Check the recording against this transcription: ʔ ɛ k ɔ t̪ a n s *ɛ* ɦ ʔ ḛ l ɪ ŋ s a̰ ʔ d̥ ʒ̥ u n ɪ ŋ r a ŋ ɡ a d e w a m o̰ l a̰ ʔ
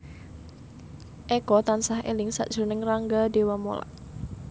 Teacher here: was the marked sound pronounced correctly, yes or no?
no